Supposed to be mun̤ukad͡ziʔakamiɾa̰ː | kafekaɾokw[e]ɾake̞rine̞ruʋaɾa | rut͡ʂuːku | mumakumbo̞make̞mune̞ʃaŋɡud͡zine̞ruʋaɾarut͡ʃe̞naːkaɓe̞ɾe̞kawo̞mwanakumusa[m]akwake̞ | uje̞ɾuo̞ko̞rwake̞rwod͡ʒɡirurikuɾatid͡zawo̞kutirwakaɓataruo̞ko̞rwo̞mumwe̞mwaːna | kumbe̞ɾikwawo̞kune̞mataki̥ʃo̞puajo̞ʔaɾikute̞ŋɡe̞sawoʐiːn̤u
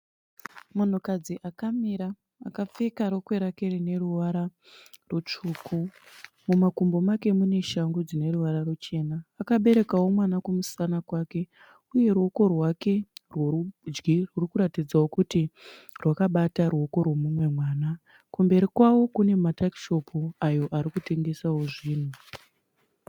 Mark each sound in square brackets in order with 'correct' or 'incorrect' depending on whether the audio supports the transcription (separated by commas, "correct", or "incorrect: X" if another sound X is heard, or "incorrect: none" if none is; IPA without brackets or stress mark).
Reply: correct, incorrect: n